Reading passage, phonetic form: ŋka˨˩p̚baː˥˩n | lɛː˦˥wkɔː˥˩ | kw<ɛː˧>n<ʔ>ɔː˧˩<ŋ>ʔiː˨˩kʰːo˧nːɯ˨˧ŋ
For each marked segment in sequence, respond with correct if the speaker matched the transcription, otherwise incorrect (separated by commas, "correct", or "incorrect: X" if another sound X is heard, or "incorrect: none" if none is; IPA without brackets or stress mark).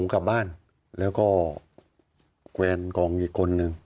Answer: correct, incorrect: k, correct